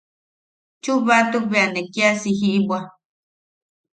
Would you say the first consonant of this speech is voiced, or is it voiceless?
voiceless